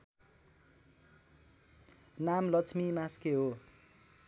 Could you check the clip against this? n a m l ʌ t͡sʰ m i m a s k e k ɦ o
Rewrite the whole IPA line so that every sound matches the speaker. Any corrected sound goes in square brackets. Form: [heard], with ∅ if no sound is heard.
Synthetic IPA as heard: n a m l ʌ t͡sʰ m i m a s k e [∅] ɦ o